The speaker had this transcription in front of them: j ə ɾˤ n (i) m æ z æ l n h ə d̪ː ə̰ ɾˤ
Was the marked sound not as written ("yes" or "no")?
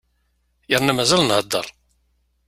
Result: yes